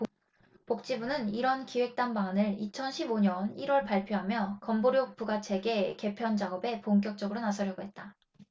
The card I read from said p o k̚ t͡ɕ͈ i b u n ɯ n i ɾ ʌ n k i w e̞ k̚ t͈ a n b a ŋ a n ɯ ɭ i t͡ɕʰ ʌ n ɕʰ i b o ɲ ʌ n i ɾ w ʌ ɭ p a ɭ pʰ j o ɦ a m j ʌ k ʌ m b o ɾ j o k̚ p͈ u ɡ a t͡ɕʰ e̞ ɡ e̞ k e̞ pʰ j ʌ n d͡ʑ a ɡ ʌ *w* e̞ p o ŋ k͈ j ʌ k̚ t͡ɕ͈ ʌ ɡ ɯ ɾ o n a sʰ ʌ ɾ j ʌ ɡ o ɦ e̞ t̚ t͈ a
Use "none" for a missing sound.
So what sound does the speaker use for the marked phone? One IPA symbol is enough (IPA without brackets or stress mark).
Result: b